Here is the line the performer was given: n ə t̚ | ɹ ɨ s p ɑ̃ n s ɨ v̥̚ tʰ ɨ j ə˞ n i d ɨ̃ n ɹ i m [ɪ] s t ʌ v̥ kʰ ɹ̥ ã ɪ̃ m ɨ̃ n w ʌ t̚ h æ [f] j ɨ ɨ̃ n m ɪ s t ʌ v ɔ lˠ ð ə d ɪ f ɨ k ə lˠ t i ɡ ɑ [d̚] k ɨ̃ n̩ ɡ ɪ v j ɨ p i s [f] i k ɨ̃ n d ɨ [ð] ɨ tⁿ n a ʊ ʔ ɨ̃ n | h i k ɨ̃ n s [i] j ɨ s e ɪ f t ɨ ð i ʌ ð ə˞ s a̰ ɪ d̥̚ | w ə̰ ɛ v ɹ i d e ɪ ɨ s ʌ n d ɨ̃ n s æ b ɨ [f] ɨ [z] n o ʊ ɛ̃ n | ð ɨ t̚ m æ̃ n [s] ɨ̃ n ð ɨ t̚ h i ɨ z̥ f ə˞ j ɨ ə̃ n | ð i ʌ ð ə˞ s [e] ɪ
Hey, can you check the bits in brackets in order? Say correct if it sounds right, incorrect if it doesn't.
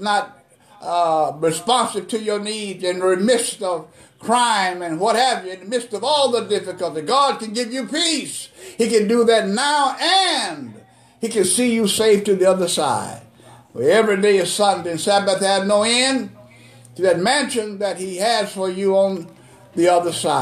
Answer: correct, incorrect: v, correct, incorrect: h, correct, correct, incorrect: θ, incorrect: v, incorrect: ʃ, incorrect: a

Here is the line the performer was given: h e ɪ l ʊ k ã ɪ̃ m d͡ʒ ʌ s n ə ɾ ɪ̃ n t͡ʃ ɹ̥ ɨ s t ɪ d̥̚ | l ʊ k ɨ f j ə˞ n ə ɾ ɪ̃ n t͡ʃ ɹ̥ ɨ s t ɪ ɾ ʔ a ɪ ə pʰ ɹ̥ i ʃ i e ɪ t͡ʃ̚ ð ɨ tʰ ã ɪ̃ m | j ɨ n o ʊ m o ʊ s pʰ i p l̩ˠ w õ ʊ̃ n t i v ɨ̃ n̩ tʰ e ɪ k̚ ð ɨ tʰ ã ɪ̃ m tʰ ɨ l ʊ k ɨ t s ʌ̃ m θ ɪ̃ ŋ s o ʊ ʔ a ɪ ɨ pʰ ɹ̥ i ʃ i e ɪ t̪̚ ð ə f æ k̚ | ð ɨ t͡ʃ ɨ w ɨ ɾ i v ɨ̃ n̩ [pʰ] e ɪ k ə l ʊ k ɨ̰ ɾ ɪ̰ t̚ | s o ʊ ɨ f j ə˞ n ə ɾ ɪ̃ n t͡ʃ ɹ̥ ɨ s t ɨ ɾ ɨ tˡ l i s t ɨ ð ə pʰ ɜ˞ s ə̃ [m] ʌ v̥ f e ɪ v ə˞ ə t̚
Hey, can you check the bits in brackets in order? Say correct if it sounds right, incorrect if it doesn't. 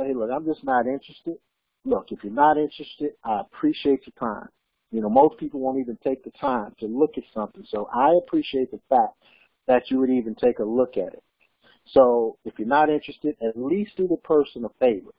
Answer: incorrect: tʰ, incorrect: n

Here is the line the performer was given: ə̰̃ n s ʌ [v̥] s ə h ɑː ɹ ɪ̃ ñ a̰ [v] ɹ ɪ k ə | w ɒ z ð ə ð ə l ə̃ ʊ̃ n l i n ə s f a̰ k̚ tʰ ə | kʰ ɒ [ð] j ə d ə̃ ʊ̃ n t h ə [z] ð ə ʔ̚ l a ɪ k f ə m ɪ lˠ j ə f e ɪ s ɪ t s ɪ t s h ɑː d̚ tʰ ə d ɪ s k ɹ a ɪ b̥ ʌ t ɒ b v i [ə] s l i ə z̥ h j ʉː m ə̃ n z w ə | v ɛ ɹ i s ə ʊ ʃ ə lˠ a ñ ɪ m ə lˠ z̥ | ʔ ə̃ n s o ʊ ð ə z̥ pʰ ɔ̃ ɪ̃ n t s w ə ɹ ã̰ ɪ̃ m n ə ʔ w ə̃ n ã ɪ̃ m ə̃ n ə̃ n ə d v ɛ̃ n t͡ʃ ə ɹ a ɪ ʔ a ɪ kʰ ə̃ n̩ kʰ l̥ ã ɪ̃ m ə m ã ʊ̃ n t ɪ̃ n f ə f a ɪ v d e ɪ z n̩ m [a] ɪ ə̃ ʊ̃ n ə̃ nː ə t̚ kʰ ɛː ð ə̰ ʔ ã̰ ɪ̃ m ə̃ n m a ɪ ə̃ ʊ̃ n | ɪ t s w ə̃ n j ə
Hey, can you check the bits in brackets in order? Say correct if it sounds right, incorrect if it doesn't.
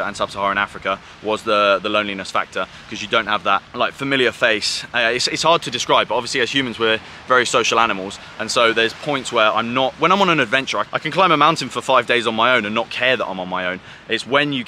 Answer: incorrect: b̥, incorrect: f, incorrect: z, incorrect: v, correct, correct

